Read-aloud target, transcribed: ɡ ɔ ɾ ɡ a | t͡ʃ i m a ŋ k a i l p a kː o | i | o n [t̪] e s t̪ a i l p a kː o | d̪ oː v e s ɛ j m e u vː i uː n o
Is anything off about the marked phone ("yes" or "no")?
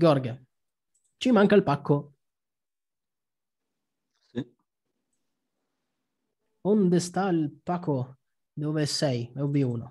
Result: yes